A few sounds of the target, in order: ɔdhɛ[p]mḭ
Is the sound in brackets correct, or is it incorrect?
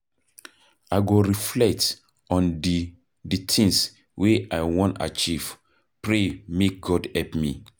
correct